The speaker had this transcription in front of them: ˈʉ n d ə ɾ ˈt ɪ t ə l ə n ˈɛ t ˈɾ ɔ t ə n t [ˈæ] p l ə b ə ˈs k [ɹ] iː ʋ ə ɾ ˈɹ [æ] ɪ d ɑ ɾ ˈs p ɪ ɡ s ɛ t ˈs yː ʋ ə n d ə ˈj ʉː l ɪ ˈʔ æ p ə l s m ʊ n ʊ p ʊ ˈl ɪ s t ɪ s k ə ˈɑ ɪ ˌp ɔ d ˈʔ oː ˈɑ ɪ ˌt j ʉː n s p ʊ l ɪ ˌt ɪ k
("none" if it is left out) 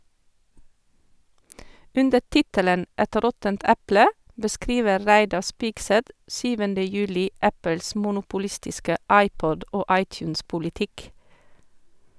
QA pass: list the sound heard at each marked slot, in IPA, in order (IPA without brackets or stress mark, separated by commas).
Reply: æ, ɾ, æ